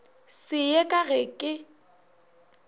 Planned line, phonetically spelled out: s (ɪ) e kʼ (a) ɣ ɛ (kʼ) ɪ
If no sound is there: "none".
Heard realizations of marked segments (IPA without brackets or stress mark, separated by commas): ɪ, a, kʼ